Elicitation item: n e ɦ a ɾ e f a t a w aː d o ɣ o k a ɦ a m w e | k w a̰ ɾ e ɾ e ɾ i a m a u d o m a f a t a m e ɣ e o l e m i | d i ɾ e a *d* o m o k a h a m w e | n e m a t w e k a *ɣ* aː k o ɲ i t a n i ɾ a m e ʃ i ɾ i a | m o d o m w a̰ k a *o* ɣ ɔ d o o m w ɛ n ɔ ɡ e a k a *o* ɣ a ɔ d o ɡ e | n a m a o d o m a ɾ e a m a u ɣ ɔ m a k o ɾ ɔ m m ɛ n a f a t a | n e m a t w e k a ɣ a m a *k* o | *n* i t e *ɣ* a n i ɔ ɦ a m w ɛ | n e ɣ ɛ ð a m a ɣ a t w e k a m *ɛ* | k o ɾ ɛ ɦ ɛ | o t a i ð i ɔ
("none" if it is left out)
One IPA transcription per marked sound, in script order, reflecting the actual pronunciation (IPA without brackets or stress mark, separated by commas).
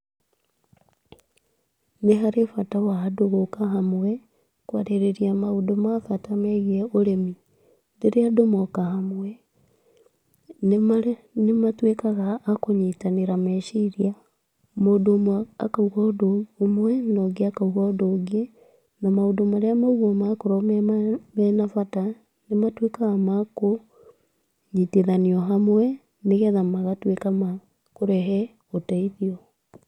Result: d, ɣ, u, u, k, ɲ, ð, a